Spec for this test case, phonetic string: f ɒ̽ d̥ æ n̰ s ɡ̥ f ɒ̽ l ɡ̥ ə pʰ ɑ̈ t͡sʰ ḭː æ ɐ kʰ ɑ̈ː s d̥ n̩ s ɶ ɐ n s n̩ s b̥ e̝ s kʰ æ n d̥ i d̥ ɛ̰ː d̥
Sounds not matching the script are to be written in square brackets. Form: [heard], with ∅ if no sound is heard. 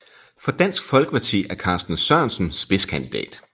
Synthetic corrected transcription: f ɒ̽ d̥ æ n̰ s ɡ̥ f ɒ̽ l ɡ̥ ə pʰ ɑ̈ t͡sʰ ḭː æ ɐ kʰ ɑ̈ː s d̥ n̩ s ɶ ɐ n s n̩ s b̥ e̝ s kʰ æ n d̥ i d̥ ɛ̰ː d̥